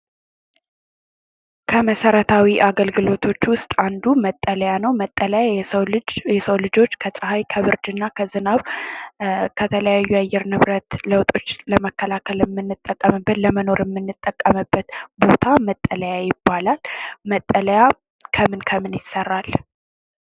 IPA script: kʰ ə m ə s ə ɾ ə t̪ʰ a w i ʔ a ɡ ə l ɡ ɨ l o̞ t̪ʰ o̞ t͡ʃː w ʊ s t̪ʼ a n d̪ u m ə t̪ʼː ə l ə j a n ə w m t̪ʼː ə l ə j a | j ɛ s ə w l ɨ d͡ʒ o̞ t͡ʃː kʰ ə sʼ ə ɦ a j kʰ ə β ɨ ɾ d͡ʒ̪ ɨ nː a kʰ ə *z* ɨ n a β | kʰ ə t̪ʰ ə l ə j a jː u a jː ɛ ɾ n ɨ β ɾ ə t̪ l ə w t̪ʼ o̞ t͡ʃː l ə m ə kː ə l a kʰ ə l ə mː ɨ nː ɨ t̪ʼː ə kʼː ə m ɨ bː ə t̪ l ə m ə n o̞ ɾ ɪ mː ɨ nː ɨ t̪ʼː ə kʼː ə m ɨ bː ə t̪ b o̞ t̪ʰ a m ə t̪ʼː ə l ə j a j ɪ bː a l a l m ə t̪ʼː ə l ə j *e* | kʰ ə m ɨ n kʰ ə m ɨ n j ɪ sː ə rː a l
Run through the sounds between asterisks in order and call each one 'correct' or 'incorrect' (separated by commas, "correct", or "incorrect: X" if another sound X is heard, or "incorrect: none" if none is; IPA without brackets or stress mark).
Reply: correct, incorrect: a